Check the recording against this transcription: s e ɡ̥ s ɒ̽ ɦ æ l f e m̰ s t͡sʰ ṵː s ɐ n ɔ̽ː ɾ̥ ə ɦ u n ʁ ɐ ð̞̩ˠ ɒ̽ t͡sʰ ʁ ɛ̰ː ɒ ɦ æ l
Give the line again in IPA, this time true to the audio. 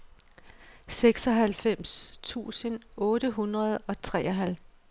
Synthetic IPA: s e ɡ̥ s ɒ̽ ɦ æ l f e m̰ s t͡sʰ ṵː s ə n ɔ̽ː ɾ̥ ə ɦ u n ʁ ɐ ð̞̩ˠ ɒ̽ t͡sʰ ʁ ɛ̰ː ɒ ɦ æ l

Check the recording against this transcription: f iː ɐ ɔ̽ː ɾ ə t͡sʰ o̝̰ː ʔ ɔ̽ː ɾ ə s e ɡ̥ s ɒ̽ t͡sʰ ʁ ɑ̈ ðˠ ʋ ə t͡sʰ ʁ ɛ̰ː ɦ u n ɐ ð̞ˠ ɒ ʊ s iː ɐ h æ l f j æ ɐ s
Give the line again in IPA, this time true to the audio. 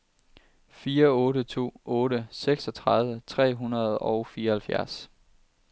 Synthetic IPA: f iː ɐ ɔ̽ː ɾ ə t͡sʰ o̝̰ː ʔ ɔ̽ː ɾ ə s e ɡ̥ s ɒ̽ t͡sʰ ʁ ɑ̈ ðˠ ʋ ə t͡sʰ ʁ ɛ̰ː ɦ u n ɐ ð̞ˠ ɒ ʊ f iː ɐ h æ l f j æ ɐ s

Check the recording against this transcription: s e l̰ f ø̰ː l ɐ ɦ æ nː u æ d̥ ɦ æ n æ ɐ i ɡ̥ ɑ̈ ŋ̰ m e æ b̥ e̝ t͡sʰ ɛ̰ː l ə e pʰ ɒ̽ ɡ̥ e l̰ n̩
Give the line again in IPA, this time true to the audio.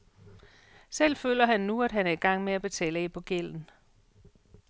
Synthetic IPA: s e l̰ f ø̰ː l ɐ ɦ æ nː u æ d̥ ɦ æ n æ ɐ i ɡ̥ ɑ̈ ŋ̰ m e æ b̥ e̝ t͡sʰ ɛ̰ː l ə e pʰ ɒ̽ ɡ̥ e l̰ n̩

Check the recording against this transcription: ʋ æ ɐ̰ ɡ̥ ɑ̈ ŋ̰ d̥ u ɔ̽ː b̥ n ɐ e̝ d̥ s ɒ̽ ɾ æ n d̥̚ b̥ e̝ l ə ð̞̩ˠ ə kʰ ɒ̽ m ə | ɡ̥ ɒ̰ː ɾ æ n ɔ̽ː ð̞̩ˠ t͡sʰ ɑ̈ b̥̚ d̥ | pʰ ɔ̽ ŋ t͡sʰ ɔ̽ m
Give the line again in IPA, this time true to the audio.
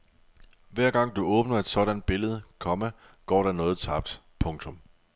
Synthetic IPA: ʋ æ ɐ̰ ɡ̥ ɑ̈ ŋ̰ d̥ u ɔ̽ː b̥ n ɐ e̝ d̥ s ɒ̽ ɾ æ n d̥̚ b̥ e̝ l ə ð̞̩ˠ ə kʰ ɒ̽ m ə | ɡ̥ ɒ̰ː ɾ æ n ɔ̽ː ð̞̩ˠ t͡sʰ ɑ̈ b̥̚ d̥ | pʰ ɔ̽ ŋ t͡sʰ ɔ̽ m

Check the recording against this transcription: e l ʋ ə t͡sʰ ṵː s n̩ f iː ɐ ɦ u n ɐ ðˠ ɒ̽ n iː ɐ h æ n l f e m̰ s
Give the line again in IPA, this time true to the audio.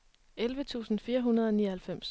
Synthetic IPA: e l ʋ ə t͡sʰ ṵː s n̩ f iː ɐ ɦ u n ɐ ðˠ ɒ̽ n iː ɐ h æ l f e m̰ s

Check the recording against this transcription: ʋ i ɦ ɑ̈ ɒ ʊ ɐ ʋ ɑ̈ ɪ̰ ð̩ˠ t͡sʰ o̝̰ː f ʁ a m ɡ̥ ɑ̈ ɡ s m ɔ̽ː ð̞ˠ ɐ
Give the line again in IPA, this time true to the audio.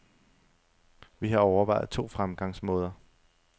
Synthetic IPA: ʋ i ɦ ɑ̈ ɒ ʊ ɐ ʋ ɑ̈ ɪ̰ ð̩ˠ t͡sʰ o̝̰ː f ʁ a m ɡ̥ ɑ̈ ŋ s m ɔ̽ː ð̞ˠ ɐ

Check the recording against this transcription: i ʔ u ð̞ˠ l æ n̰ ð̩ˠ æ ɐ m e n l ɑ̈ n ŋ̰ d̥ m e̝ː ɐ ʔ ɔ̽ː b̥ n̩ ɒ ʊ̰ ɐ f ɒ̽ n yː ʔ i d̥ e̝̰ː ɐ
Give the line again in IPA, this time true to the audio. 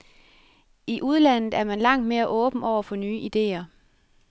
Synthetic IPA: i ʔ u ð̞ˠ l æ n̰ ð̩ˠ æ ɐ m æ n l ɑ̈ ŋ̰ d̥ m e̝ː ɐ ʔ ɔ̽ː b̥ n̩ ɒ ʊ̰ ɐ f ɒ̽ n yː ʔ i d̥ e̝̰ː ɐ

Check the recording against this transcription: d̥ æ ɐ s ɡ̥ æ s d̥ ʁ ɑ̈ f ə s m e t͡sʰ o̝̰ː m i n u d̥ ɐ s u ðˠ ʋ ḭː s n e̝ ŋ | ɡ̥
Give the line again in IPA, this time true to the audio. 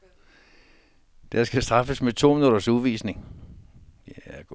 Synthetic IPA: d̥ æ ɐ s ɡ̥ æ s d̥ ʁ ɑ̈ f ə s m e t͡sʰ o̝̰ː m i n u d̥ ɐ s u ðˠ ʋ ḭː s n e̝ ŋ | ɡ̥

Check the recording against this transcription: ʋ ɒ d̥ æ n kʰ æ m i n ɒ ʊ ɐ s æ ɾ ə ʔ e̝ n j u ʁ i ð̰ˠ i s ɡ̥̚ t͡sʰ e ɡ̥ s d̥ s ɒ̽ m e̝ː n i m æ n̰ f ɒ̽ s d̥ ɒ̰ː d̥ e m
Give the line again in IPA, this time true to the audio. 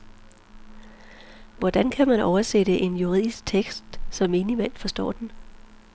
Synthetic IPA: ʋ ɒ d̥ æ n kʰ æ m æ n ɒ ʊ ɐ s e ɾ ə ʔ e̝ n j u ʁ i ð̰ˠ i s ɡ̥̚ t͡sʰ e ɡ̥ s d̥ s ɒ̽ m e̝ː n i m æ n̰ f ɒ̽ s d̥ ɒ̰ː d̥ e n

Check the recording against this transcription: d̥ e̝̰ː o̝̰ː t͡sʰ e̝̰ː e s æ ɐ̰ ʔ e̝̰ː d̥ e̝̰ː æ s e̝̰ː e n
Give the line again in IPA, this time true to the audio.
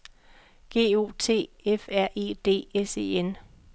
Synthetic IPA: ɡ̥ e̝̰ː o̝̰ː t͡sʰ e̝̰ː e f æ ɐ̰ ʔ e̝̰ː d̥ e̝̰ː e s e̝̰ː e n

